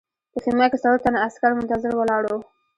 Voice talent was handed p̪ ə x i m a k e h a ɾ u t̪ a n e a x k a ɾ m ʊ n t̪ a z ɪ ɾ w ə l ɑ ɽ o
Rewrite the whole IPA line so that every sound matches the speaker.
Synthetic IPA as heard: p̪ ə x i m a k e s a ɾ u t̪ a n a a s k a ɾ m ʊ n t̪ a z ɪ ɾ w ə l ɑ ɽ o